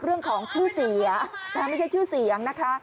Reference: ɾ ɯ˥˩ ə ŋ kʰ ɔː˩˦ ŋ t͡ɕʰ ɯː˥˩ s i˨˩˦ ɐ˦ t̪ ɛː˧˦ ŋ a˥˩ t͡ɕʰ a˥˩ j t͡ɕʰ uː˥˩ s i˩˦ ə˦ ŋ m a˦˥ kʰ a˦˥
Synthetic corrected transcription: ɾ ɯ˥˩ ə ŋ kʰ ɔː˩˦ ŋ t͡ɕʰ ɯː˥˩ s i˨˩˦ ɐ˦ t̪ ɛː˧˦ m a˥˩ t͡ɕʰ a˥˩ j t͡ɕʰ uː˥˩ s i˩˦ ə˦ ŋ n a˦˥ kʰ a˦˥